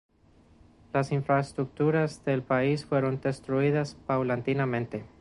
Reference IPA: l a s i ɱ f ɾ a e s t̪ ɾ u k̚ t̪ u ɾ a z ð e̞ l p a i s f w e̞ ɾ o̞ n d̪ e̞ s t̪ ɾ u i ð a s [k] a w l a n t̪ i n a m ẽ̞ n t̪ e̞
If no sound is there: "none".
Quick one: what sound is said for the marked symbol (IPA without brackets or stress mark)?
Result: p